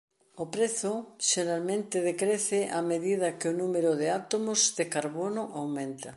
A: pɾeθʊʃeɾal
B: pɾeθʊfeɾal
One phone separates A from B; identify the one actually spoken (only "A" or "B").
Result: A